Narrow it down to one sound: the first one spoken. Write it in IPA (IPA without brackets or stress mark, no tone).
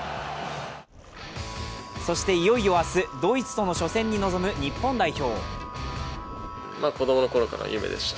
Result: s